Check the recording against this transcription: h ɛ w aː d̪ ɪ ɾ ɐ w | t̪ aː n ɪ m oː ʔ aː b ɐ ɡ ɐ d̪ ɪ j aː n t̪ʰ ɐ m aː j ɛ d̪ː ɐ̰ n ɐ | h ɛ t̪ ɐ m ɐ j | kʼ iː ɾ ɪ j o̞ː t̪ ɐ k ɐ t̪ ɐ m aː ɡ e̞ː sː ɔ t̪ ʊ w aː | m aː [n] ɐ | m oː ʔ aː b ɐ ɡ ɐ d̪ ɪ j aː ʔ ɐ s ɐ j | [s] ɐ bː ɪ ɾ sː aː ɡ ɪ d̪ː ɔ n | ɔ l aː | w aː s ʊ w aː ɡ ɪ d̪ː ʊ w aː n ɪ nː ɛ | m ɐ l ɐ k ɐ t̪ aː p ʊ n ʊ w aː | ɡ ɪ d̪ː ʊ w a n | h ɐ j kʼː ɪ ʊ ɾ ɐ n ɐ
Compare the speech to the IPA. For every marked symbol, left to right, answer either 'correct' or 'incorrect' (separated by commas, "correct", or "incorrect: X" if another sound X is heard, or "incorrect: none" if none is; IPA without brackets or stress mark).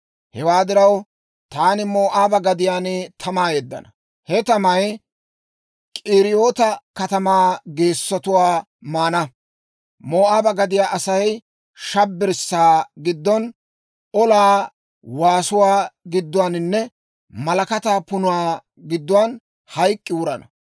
correct, incorrect: ʃ